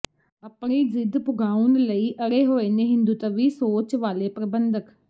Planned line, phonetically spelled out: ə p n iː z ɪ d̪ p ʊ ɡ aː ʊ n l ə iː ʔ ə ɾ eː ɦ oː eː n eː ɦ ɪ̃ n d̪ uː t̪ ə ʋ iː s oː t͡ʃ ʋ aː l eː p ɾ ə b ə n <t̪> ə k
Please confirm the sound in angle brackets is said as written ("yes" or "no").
no